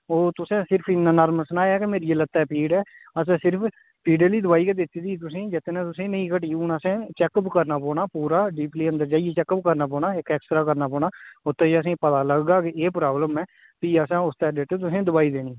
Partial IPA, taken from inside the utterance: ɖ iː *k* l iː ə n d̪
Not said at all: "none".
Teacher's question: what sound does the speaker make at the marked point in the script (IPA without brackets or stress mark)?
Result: p